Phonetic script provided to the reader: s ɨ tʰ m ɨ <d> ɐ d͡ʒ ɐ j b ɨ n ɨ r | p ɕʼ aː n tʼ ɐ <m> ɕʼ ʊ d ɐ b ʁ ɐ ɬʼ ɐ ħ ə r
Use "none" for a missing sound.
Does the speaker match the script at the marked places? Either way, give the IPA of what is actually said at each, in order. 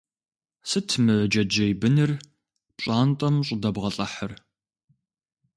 d͡ʒ, m

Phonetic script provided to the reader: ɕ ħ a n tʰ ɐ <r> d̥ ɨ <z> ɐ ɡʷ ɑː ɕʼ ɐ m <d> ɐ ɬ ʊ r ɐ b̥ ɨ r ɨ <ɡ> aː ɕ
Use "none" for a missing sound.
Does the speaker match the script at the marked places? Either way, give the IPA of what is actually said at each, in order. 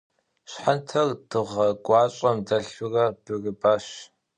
r, ʁ, d, b

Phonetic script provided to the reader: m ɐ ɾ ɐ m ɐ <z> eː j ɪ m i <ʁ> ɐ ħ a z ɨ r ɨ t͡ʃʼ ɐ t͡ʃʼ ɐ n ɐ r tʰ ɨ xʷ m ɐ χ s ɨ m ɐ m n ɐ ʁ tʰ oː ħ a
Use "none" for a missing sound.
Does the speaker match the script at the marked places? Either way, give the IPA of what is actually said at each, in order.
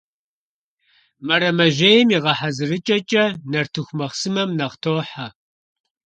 ʒ, ʁ

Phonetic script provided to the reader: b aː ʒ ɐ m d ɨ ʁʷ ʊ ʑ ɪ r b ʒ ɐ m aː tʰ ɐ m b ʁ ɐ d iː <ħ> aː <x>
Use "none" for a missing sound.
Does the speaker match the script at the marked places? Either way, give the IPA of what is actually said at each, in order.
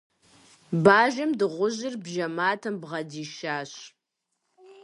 ʃ, ɕ

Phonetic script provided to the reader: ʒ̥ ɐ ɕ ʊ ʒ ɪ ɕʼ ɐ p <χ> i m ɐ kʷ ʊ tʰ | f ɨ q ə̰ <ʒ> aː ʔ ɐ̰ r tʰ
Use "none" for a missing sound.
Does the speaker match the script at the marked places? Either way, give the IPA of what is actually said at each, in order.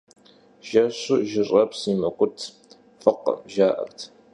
s, ʒ

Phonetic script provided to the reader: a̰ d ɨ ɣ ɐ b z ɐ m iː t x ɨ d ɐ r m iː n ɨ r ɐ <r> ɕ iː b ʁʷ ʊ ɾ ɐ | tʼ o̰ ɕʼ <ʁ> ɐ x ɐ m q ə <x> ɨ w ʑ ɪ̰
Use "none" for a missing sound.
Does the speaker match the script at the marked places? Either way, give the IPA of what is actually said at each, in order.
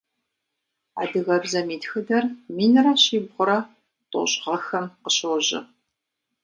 none, ʁ, ɕ

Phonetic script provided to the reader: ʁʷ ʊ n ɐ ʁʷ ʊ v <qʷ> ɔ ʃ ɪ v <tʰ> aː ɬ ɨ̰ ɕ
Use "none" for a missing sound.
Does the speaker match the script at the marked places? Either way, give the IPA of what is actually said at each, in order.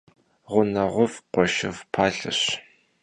qʷ, pʰ

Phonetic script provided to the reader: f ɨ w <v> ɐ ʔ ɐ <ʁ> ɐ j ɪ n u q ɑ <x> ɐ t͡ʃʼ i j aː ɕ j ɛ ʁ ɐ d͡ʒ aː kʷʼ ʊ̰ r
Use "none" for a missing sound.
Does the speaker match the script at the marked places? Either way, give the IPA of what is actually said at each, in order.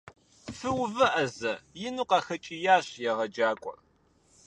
v, z, x

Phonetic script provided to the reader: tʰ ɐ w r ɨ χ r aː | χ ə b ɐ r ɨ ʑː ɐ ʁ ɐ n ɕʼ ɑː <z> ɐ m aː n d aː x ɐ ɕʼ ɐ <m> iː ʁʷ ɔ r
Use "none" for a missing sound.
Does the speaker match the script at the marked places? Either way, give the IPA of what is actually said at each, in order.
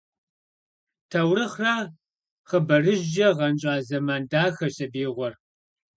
z, b

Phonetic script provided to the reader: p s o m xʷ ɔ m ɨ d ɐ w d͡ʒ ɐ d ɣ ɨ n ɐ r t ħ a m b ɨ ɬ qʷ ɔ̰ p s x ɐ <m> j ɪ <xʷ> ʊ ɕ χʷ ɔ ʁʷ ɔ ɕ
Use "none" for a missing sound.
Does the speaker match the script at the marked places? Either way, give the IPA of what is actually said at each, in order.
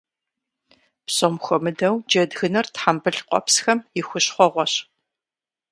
m, xʷ

